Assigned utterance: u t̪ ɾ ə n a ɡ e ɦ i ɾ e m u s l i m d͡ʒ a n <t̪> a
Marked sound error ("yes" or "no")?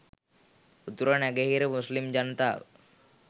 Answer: no